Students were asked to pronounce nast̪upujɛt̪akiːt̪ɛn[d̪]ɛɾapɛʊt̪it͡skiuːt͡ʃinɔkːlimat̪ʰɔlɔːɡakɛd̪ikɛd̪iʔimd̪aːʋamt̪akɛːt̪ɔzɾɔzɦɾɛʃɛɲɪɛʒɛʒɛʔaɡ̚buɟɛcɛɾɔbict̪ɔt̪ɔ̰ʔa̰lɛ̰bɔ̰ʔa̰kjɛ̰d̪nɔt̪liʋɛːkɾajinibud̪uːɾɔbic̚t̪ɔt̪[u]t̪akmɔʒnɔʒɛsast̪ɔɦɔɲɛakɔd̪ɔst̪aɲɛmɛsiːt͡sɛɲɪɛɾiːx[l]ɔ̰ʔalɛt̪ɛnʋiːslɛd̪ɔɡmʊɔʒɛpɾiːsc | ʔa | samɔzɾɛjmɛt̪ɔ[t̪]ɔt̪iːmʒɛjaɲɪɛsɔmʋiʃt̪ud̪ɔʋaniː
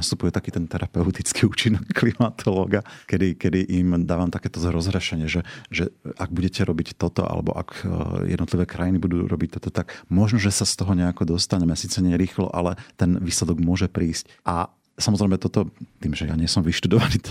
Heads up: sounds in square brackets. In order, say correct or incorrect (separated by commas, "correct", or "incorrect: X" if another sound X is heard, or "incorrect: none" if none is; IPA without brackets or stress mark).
incorrect: t̪, incorrect: ɔ, correct, correct